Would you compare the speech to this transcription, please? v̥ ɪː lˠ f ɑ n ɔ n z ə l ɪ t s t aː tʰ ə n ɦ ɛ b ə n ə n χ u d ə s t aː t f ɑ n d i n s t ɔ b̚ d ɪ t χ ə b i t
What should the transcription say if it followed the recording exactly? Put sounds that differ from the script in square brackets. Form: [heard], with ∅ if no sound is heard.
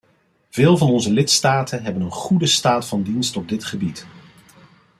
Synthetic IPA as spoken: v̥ ɪː lˠ [v] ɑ n ɔ n z ə l ɪ t s t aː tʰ ə n ɦ ɛ b ə n ə n χ u d ə s t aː t f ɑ n d i n s t ɔ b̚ d ɪ t χ ə b i t